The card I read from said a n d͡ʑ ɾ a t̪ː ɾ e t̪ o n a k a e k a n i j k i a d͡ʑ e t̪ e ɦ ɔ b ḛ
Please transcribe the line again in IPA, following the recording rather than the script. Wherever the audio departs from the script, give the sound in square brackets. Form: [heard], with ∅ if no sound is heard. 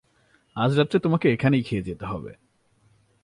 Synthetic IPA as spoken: a [∅] d͡ʑ ɾ a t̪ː ɾ e t̪ o [m] a k [e] e [kʰ] a n [e] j [kʰ] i [e] d͡ʑ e t̪ e ɦ ɔ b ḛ

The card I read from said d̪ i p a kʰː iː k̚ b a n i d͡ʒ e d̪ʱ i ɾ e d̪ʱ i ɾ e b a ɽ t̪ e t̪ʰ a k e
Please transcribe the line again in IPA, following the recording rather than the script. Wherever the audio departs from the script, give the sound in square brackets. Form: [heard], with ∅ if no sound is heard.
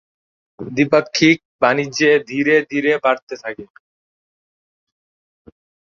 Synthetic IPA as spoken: d̪ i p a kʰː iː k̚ b a n i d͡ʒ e d̪ʱ i ɾ e d̪ʱ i ɾ e b a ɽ t̪ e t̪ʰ a k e

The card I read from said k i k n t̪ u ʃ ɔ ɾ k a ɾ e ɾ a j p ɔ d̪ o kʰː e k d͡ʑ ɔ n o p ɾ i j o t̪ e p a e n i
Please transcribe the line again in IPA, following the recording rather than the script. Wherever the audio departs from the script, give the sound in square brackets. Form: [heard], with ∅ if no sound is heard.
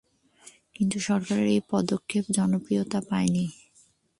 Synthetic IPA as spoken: k i [∅] n t̪ u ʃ ɔ ɾ k a ɾ e ɾ [e] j p ɔ d̪ o kʰː e [p] d͡ʑ ɔ n o p ɾ i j o t̪ [a] p a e n i

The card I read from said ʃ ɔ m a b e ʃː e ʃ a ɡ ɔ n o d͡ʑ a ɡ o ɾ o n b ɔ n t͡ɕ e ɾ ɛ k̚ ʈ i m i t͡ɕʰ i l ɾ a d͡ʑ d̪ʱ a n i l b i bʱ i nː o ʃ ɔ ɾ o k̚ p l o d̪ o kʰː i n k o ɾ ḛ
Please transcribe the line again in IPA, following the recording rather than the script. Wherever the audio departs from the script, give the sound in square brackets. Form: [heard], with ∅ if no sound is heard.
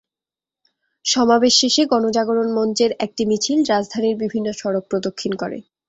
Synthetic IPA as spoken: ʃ ɔ m a b e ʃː e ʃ [e] ɡ ɔ n o d͡ʑ a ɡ o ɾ o n [m] ɔ n t͡ɕ e ɾ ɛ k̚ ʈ i m i t͡ɕʰ i l ɾ a d͡ʑ d̪ʱ a n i [ɾ] b i bʱ i nː o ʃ ɔ ɾ o k̚ p [ɾ] o d̪ o kʰː i n k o ɾ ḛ

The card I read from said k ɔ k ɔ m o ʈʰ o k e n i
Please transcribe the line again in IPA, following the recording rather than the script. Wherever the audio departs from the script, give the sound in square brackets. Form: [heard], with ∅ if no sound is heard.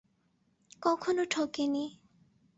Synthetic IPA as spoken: k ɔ [kʰ] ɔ [n] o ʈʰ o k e n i

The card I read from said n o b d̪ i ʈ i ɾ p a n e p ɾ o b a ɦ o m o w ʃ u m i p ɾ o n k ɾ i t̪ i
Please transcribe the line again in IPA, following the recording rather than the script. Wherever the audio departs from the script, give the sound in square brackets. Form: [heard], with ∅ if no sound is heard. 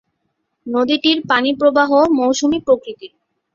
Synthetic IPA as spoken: n o [∅] d̪ i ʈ i ɾ p a n [i] p ɾ o b a ɦ o m o w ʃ u m i p ɾ o [∅] k ɾ i t̪ i

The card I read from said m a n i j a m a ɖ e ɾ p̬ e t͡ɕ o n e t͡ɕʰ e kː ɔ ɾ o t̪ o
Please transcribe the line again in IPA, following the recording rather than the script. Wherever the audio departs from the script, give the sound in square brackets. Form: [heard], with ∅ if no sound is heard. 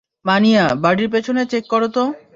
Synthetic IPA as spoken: m a n i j a [b] a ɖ [i] ɾ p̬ e [t͡ɕʰ] o n e [t͡ɕ] e kː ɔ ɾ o t̪ o

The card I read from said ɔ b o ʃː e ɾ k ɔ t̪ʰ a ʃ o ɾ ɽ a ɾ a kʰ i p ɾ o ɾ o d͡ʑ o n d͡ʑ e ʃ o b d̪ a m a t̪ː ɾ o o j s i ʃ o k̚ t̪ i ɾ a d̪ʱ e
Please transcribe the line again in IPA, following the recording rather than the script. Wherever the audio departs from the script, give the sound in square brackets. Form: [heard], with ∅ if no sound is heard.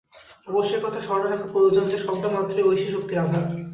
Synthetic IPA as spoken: ɔ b o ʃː e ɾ k ɔ t̪ʰ a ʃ [ɔ] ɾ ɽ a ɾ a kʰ [a] p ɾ o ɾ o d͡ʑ o n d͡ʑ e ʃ [ɔ] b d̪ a m a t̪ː ɾ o o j [ʃ] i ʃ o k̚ t̪ i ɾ a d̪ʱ [a]

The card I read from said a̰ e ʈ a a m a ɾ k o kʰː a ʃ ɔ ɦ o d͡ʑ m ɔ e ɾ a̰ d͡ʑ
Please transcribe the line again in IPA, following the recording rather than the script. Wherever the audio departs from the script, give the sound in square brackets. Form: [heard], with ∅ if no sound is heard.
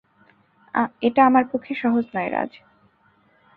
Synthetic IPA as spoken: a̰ e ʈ a a m a ɾ [p] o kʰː [e] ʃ ɔ ɦ o d͡ʑ [n] ɔ e ɾ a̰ d͡ʑ

